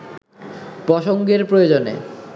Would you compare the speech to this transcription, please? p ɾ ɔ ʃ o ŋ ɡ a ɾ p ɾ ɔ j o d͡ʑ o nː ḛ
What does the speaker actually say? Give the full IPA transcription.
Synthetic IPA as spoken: p ɾ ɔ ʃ o ŋ ɡ e ɾ p ɾ o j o d͡ʑ o n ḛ